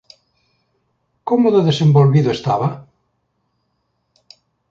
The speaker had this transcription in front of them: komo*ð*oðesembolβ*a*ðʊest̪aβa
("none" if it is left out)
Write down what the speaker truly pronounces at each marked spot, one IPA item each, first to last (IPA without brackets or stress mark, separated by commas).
ð, i